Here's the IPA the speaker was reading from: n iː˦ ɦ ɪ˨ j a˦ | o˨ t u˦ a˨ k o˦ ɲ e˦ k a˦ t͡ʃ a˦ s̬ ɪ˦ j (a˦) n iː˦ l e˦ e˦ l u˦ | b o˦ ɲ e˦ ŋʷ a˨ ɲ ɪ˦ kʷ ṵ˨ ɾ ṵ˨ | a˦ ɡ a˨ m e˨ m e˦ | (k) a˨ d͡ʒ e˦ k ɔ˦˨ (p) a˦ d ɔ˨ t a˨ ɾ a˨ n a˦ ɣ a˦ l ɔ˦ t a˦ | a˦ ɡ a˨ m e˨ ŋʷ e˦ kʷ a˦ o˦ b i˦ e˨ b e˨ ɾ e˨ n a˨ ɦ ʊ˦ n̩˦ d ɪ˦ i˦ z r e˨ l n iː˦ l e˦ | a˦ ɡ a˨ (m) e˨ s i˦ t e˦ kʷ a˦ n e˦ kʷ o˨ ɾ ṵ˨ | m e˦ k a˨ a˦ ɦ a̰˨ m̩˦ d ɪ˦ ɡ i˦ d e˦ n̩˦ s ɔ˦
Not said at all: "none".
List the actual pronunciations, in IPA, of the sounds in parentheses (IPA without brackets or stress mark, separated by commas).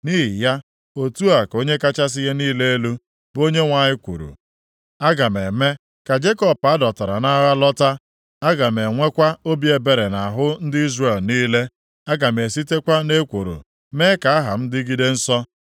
e˦, k, p, m